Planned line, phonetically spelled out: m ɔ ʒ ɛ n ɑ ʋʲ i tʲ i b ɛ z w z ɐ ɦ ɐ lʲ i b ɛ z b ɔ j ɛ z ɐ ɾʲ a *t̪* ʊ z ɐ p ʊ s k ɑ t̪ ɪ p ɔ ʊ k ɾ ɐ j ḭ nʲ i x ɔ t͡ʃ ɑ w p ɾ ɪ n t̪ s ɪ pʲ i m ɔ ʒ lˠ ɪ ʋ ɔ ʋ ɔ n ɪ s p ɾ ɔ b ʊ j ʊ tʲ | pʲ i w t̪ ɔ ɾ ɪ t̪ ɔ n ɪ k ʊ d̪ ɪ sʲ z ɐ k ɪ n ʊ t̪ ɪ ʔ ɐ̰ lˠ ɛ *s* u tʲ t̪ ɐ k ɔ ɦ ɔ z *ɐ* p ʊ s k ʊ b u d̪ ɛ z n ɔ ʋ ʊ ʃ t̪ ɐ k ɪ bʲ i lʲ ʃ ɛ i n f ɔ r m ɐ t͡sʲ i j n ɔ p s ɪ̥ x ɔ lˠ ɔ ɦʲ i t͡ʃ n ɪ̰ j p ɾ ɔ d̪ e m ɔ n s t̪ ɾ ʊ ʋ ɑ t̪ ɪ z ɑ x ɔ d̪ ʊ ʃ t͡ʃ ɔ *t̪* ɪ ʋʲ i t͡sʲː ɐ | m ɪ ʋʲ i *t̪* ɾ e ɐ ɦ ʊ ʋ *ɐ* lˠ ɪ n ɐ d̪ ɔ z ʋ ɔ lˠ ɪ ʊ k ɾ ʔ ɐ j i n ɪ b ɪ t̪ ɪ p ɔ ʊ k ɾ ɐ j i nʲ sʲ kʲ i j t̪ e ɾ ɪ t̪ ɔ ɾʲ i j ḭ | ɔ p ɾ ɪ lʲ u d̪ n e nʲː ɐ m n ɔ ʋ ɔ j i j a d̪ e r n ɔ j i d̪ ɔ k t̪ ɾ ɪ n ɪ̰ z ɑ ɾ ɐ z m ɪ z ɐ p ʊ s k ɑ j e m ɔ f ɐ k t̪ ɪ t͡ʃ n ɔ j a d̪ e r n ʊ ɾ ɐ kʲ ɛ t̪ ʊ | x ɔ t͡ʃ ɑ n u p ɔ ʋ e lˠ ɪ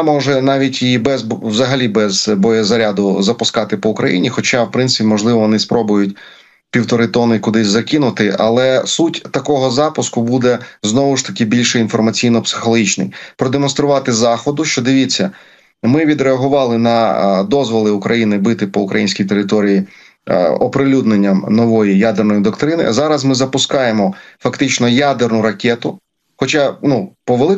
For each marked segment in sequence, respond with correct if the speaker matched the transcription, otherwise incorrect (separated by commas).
incorrect, correct, incorrect, incorrect, incorrect, incorrect